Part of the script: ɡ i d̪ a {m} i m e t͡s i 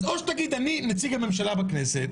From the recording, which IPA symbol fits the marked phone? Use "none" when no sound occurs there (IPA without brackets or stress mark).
n